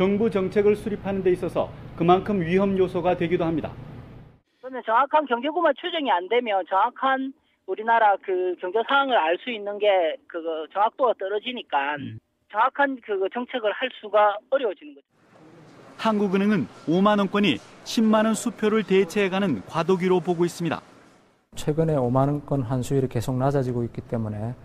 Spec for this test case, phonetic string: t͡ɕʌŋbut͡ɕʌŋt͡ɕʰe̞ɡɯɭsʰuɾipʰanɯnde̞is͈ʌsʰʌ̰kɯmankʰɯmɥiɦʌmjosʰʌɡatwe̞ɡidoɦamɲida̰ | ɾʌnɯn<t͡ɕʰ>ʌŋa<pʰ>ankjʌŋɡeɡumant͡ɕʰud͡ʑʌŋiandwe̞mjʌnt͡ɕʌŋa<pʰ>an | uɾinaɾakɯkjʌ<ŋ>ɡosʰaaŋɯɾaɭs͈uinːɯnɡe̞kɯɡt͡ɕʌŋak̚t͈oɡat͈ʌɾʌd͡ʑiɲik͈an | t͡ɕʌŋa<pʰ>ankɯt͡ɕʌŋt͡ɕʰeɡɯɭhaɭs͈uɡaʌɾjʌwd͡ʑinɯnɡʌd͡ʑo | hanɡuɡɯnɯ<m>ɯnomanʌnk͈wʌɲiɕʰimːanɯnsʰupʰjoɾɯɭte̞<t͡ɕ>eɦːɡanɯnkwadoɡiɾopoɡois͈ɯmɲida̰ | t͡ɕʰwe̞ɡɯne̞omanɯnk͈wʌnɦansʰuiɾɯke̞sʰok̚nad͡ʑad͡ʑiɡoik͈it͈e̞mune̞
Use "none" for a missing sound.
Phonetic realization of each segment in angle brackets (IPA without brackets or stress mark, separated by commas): t͡ɕ, kʰ, kʰ, ŋ, kʰ, ŋ, t͡ɕʰ